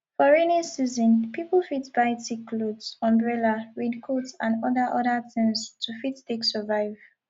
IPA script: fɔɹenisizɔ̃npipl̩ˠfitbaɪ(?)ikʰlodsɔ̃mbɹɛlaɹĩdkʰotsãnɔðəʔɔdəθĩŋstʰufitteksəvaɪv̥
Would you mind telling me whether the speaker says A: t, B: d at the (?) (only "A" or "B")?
A